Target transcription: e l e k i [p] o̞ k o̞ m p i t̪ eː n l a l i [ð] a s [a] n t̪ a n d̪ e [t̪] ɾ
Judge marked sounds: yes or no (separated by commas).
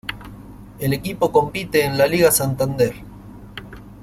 yes, no, yes, no